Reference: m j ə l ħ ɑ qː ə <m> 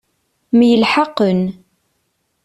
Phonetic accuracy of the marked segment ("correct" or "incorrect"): incorrect